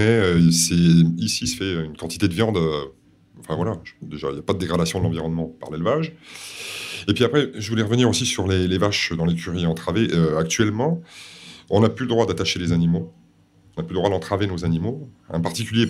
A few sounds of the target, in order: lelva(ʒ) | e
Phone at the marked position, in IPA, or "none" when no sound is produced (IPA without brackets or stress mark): ʒ